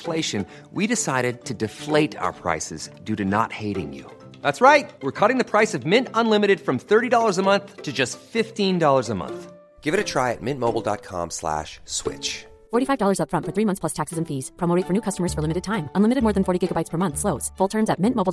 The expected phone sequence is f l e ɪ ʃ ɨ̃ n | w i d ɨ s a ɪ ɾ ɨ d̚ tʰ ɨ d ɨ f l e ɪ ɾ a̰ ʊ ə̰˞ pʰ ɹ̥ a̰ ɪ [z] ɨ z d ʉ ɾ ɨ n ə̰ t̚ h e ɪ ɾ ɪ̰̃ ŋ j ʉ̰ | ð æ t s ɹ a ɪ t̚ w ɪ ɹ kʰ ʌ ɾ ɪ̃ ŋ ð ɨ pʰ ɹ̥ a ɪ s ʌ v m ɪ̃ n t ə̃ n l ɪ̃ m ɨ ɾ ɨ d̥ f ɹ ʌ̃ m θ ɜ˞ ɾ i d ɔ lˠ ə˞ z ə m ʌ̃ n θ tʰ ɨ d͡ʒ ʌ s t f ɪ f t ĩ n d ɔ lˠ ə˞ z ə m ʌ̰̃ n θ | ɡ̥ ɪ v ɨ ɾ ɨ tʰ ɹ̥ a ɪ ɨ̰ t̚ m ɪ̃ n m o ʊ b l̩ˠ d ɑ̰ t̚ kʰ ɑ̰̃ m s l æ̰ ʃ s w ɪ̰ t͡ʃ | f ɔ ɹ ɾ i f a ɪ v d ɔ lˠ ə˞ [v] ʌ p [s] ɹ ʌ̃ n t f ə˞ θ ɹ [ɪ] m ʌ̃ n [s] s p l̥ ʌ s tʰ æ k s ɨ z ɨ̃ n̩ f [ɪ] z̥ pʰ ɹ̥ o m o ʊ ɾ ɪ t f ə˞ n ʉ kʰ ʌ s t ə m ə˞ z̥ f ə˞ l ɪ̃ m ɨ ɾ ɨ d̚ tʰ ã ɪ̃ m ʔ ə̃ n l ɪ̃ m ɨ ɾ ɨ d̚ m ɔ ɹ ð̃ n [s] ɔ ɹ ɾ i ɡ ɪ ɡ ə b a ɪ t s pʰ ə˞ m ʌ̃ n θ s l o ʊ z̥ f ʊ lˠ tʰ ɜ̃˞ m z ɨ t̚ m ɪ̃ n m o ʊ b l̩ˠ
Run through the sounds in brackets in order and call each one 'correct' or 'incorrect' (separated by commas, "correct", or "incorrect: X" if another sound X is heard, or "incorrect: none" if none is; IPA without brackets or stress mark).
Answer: incorrect: s, incorrect: z, incorrect: f, incorrect: i, incorrect: θ, incorrect: i, incorrect: f